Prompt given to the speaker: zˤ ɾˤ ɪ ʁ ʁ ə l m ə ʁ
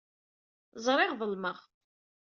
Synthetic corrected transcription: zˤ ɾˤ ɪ ʁ ð ə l m ə ʁ